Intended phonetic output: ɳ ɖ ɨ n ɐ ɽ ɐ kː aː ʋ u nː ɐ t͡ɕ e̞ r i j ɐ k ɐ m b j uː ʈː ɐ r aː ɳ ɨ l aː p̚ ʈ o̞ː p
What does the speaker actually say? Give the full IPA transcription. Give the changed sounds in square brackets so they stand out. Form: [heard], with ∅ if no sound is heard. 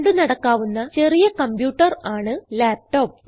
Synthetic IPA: ɳ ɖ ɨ n ɐ ɽ ɐ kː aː ʋ u nː ɐ t͡ɕ e̞ r i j ɐ k ɐ m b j uː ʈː ɐ r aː ɳ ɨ l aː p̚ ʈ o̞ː p